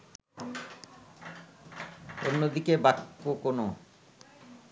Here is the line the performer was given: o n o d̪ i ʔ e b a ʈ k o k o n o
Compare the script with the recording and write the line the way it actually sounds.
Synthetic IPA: o nː o d̪ i k e b a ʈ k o k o n o